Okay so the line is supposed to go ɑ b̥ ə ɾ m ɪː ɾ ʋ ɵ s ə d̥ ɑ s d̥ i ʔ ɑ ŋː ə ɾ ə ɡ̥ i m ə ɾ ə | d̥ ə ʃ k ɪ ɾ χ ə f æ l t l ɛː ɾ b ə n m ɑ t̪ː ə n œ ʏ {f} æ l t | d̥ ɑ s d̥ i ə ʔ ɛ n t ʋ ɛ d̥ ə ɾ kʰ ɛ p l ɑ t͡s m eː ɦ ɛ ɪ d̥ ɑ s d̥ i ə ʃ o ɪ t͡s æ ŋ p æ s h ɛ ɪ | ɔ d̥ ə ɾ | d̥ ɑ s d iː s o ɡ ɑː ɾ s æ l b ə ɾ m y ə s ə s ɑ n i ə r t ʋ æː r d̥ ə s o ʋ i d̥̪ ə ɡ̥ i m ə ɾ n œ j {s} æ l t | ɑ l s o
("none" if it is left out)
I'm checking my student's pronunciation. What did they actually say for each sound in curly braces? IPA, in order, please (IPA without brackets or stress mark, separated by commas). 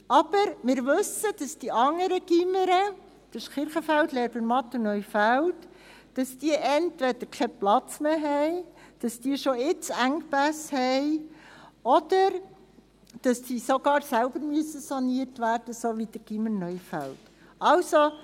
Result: f, f